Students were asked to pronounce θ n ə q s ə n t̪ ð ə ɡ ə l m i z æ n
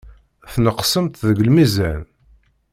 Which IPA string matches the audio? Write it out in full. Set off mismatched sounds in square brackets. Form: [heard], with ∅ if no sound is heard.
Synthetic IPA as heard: θ n ə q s ə [m] t̪ ð ə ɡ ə l m i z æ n